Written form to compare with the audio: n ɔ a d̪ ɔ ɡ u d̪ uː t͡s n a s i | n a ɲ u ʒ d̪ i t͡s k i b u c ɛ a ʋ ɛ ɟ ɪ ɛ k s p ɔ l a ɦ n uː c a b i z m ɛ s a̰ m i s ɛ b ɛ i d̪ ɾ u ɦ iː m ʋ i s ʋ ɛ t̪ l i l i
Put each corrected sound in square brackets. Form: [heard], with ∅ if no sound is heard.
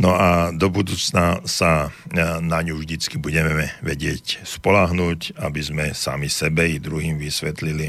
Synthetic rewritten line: n ɔ a d̪ ɔ [b] u d̪ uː t͡s n a s [a] | n a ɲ u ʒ d̪ i t͡s k i b u [ɟ] ɛ [ɛ] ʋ ɛ ɟ ɪ ɛ [c] s p ɔ l a ɦ n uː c a b i z m ɛ s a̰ m i s ɛ b ɛ i d̪ ɾ u ɦ iː m ʋ i s ʋ ɛ t̪ l i l i